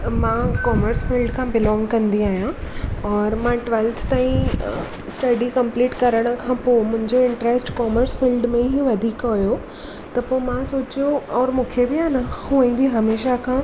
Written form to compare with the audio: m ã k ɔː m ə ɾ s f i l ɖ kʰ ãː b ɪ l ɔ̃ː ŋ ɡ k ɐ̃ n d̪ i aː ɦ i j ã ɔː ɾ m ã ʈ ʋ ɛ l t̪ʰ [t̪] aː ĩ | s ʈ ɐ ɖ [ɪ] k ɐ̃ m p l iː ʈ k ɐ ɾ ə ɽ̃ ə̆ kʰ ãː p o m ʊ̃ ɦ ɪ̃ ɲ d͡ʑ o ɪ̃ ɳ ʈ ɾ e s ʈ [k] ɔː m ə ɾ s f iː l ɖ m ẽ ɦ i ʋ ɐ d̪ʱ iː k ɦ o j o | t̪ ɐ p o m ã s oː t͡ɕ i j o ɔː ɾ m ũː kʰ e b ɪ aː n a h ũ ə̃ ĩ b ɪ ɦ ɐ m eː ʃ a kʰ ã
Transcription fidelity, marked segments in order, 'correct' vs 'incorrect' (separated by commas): correct, incorrect, correct